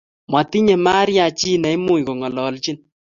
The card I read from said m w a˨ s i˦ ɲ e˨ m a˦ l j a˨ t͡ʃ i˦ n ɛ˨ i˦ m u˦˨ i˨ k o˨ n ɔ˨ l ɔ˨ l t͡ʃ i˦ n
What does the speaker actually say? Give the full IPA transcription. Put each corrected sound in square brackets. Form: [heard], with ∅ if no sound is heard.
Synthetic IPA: m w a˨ [t] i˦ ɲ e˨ m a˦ [ɾ] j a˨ t͡ʃ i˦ n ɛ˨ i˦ m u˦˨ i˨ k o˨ [ŋ] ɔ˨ l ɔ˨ l t͡ʃ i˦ n

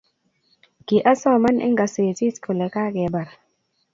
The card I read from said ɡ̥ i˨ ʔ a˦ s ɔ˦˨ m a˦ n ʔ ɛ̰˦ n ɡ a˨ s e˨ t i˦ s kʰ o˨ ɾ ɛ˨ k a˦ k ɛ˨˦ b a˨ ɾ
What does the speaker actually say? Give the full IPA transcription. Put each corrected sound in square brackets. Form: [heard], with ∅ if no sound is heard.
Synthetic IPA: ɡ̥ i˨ ʔ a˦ s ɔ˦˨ m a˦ n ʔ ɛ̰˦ [ŋ] ɡ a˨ s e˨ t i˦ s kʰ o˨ [l] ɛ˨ k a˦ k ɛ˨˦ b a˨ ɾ

